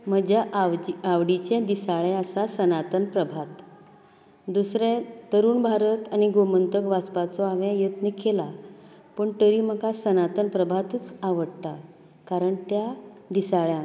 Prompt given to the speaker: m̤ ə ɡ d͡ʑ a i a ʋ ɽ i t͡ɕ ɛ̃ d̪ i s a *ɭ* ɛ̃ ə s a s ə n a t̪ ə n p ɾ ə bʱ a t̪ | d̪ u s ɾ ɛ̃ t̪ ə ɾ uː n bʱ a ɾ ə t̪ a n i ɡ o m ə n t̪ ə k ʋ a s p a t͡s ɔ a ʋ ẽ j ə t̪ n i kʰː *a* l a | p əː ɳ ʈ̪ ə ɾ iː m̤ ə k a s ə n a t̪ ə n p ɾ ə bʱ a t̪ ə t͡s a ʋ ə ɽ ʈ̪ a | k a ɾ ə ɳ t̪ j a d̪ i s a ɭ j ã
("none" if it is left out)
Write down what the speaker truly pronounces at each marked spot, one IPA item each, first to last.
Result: ɭ, e

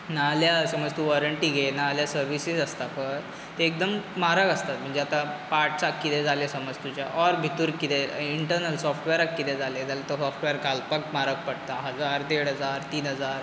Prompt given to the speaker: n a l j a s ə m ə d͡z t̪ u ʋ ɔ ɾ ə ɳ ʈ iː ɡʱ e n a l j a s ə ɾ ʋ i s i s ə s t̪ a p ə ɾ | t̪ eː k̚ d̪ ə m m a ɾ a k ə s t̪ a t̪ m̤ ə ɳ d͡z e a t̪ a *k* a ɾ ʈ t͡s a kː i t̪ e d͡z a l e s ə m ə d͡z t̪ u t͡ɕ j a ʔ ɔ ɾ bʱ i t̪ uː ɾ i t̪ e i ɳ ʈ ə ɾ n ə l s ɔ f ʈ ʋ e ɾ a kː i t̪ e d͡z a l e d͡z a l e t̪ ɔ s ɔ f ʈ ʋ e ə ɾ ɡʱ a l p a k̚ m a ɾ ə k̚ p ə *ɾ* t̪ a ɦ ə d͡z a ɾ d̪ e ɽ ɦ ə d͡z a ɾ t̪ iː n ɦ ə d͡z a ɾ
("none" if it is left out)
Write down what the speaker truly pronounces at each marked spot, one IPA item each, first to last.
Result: p, ɽ

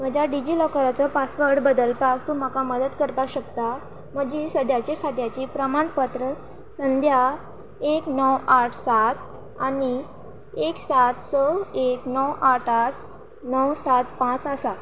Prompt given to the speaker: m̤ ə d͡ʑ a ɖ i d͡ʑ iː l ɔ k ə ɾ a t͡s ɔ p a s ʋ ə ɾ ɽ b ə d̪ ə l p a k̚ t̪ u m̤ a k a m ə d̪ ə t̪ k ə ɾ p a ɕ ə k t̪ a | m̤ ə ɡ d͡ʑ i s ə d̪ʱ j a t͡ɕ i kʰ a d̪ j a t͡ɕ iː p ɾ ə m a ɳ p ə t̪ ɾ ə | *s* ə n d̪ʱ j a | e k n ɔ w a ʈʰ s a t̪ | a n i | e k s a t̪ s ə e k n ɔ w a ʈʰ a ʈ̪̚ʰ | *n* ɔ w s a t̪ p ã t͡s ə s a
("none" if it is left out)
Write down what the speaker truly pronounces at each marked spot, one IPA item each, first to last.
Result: s, n

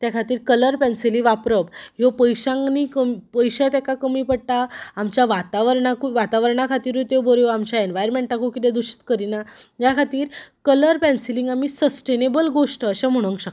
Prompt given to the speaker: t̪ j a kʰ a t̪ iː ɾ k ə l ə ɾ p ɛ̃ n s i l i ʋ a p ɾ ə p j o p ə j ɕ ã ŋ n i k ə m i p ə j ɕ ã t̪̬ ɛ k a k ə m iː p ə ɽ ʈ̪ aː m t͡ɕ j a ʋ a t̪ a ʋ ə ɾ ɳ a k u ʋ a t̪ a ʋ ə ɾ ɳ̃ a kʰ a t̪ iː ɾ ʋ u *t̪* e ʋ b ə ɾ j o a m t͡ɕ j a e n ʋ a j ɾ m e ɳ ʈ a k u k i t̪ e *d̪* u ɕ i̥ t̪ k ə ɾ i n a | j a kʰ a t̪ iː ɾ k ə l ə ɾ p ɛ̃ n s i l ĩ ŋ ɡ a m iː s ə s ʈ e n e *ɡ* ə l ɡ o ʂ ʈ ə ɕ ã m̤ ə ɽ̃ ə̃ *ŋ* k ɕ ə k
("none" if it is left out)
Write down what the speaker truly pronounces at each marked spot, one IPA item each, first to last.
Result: t̪, d̪, b, ŋ

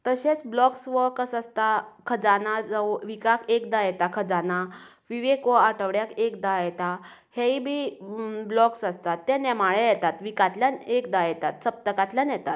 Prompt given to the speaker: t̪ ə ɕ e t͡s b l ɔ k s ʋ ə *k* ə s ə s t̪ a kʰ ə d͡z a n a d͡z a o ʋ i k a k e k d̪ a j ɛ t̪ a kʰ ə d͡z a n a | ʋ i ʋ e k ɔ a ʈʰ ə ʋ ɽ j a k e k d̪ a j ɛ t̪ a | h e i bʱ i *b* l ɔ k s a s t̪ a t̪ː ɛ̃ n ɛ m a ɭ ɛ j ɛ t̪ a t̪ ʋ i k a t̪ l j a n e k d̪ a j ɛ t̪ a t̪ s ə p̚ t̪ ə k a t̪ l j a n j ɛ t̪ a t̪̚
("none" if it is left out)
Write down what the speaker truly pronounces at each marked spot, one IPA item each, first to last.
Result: k, b

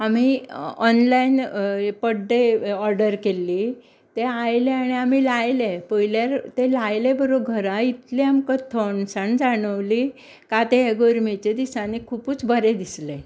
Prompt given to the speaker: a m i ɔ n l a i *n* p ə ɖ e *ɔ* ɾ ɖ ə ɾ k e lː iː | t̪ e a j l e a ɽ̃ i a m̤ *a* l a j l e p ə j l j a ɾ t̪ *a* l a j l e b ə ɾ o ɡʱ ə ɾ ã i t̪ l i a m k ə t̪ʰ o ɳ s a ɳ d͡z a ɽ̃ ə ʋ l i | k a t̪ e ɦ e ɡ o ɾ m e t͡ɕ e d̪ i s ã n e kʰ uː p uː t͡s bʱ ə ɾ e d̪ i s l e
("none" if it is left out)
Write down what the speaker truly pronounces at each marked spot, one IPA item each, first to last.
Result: n, ɔ, i, e

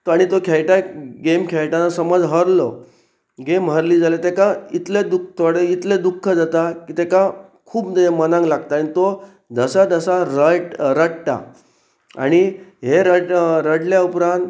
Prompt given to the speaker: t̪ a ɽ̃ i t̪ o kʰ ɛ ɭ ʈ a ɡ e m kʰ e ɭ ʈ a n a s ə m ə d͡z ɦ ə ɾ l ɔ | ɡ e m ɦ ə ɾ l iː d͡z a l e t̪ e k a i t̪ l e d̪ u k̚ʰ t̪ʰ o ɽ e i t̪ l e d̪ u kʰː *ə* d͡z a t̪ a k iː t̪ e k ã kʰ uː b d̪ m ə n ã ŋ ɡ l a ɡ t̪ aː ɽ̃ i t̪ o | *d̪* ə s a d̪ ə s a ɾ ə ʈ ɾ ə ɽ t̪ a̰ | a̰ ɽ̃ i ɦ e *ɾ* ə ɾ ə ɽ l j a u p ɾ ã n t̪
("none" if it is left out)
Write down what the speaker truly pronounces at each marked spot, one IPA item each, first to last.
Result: ə, d̪, ɾ

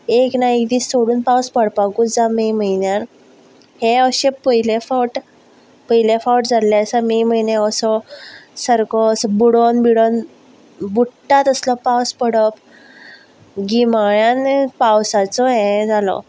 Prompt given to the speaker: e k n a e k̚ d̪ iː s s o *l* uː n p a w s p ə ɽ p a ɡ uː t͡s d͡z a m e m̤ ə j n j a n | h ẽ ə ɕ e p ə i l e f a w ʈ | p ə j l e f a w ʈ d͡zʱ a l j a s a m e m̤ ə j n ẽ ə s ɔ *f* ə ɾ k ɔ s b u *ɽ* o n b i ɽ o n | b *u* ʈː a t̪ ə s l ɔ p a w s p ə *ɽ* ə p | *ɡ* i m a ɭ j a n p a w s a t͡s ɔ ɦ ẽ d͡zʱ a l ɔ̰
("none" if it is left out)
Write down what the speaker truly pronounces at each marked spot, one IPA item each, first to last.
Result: ɽ, s, ɽ, u, ɽ, ɡ

